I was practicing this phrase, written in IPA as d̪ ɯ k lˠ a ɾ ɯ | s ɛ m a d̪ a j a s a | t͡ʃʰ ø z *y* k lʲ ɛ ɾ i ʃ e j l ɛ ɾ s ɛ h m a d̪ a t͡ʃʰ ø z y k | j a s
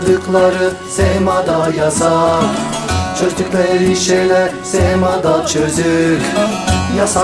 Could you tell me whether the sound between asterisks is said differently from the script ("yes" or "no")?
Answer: no